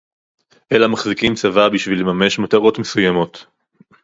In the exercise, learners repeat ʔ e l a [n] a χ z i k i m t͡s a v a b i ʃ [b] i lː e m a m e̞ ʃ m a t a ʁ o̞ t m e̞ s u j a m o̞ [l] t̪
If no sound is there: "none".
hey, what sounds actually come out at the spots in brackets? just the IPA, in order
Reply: m, v, none

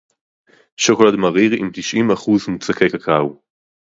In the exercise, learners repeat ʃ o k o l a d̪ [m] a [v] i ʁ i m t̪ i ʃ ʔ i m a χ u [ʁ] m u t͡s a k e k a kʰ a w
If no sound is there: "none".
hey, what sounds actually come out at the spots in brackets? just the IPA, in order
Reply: m, ʁ, z

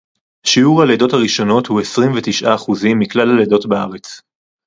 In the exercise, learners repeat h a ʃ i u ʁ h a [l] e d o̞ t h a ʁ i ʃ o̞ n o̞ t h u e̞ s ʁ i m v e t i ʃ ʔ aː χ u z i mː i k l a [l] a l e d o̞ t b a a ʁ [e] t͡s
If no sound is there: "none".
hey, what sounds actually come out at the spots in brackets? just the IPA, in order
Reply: l, l, e

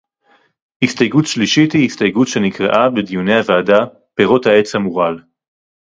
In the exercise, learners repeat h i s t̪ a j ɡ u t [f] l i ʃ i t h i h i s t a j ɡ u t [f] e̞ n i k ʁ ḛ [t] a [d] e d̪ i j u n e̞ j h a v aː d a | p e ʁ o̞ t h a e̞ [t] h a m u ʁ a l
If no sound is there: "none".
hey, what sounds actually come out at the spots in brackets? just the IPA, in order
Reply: ʃ, ʃ, ʔ, b, t͡s

